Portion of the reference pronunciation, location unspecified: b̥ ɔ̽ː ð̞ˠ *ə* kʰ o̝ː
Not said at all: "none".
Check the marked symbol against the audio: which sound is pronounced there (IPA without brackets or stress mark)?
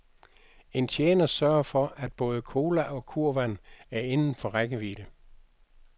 ə